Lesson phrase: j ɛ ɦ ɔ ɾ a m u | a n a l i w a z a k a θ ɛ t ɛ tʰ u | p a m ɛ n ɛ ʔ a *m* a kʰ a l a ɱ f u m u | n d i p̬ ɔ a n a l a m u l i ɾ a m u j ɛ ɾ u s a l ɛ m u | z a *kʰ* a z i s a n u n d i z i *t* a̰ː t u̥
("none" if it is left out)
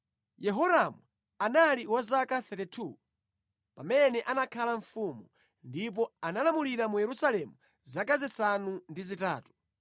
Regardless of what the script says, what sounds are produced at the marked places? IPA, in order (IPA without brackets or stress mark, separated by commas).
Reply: n, k, t